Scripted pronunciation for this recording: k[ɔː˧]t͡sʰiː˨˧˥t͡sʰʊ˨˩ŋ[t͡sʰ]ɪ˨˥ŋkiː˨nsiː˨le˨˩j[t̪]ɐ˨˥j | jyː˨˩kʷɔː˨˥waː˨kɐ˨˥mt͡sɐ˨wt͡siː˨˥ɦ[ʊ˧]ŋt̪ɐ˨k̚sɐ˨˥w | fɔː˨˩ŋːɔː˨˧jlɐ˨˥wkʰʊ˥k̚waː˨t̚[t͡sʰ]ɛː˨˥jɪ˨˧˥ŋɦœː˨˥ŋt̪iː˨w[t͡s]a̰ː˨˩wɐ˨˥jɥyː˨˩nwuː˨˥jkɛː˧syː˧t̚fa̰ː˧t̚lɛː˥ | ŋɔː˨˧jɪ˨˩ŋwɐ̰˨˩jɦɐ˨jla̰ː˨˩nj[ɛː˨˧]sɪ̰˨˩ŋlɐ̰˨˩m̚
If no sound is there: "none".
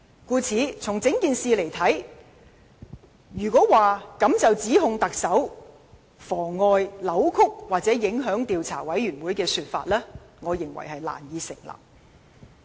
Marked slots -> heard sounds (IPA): uː˧, t͡s, t̪ʰ, ʊ˧, t͡s, t͡sʰ, iː˨˧

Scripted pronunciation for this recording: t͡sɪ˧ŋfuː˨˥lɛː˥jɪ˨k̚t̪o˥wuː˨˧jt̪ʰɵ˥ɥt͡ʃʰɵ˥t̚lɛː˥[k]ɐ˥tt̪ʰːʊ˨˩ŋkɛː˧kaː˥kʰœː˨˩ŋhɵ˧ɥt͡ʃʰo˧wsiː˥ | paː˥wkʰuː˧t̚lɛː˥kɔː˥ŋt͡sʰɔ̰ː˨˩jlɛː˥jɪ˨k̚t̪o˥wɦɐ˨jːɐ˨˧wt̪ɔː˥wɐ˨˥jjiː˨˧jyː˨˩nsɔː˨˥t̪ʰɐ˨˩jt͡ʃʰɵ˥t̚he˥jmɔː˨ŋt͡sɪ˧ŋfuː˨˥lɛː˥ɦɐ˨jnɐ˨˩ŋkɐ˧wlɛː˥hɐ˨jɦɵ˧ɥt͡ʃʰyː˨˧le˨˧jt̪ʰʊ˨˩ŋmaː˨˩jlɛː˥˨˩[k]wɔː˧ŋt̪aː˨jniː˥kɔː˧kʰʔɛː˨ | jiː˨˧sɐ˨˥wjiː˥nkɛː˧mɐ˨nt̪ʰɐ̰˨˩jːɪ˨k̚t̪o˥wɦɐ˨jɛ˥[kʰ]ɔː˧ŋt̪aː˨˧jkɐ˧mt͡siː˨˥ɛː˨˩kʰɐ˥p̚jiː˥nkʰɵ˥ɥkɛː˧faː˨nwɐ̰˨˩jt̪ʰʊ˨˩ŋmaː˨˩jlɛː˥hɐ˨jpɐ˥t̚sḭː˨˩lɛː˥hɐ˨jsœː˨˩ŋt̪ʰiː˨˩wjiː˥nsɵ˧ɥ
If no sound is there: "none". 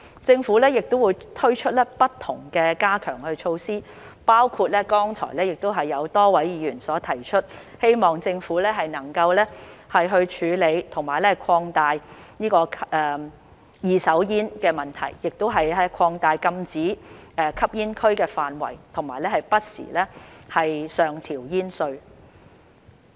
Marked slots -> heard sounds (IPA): p, kʰ, kʰ

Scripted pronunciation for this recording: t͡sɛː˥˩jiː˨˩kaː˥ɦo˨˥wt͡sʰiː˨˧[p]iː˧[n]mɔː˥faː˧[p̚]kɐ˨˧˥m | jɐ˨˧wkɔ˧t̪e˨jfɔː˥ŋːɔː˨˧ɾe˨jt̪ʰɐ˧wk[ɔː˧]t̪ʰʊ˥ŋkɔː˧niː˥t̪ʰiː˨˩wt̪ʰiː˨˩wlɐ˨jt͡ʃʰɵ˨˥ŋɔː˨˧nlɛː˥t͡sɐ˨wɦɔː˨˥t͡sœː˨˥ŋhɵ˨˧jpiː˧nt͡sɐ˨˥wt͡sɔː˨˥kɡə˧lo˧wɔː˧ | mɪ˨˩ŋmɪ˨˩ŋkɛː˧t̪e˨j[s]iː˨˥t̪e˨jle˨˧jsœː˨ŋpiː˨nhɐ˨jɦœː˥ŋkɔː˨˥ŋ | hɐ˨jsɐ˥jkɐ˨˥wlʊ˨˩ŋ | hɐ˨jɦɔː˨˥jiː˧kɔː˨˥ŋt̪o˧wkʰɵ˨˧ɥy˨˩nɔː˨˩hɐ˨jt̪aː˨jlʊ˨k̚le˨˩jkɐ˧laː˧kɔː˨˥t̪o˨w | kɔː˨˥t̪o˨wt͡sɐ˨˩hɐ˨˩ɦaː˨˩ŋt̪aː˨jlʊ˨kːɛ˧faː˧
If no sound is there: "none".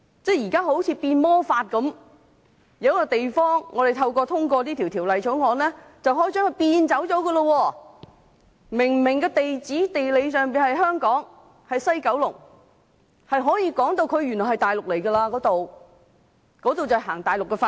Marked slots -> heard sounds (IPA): p, n, t̚, ɔː˧, t͡s

